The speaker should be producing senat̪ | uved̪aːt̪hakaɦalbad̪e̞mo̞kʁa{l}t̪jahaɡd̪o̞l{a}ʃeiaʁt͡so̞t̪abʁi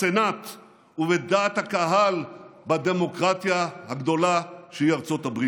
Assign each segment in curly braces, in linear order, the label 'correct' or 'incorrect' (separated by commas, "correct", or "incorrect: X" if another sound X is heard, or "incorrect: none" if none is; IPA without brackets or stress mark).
incorrect: none, correct